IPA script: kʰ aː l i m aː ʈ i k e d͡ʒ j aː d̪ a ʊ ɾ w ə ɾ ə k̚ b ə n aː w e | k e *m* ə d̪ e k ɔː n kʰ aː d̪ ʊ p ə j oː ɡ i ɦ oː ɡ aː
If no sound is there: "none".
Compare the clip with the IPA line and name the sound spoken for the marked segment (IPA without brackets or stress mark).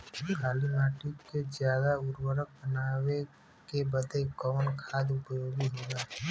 b